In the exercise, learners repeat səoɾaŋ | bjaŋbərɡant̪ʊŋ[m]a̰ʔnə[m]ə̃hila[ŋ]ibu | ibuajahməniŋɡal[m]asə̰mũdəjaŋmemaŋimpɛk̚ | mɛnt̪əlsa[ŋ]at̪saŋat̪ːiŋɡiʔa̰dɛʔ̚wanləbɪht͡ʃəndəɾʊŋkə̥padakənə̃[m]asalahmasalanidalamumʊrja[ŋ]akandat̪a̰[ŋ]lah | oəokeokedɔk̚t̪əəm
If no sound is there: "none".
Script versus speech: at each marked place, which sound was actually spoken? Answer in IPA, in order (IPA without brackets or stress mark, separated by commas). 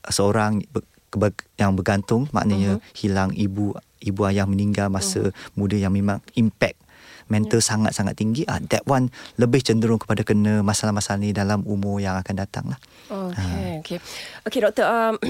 m, ɲ, ŋ, m, ŋ, m, ŋ, ŋ